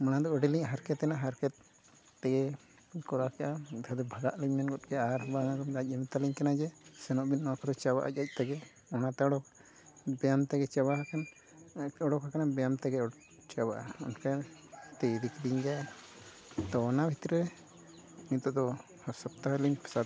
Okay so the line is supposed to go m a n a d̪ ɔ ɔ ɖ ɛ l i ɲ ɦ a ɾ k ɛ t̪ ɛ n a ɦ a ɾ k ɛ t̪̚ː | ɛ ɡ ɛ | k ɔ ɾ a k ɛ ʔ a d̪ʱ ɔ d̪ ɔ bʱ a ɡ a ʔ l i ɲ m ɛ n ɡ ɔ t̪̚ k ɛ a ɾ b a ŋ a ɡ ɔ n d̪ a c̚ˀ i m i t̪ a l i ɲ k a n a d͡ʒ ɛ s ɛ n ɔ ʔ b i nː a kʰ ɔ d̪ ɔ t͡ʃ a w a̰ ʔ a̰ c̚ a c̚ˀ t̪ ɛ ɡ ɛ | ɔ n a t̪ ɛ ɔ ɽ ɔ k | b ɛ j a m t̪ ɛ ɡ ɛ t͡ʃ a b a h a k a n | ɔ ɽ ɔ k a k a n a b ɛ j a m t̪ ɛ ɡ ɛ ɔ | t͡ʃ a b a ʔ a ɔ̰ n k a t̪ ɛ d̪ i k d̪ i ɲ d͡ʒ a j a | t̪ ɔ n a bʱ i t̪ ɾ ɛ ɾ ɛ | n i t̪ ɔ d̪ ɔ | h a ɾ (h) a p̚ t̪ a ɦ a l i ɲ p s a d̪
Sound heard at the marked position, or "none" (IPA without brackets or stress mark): s